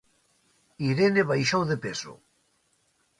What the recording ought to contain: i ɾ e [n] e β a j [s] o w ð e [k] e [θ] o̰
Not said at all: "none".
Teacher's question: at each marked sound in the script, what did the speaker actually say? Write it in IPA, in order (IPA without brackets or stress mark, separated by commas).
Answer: n, ʃ, p, s